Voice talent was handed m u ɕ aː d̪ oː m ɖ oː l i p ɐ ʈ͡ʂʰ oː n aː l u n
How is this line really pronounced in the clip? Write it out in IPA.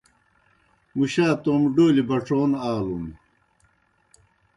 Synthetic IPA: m u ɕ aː t̪ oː m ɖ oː l i b ɐ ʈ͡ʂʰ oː n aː l u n